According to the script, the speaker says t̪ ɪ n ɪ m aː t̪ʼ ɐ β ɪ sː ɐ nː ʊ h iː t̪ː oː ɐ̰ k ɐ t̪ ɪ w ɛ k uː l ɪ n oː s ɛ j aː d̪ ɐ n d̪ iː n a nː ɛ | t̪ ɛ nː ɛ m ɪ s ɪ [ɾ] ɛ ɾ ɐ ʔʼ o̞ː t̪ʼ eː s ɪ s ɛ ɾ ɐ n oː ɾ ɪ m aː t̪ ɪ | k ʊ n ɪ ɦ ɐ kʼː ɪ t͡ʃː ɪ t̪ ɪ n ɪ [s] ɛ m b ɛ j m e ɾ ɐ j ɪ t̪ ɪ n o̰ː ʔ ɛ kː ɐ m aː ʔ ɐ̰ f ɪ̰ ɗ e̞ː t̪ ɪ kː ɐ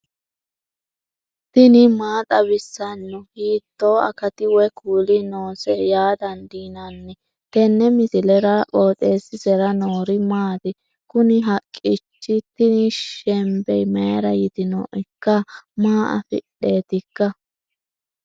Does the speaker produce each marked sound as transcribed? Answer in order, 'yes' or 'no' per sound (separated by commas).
no, no